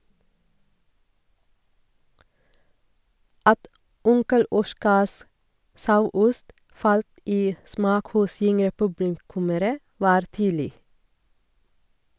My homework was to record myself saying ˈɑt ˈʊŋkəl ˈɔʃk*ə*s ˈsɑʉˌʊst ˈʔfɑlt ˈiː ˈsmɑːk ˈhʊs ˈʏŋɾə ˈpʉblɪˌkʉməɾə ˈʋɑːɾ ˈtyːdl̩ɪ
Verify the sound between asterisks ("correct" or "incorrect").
incorrect